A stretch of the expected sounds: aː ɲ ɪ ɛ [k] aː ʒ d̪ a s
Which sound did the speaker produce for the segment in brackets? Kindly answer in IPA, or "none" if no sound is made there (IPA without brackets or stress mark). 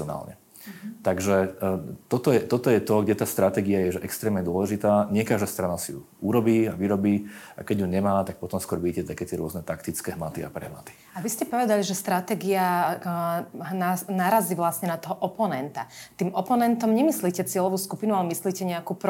k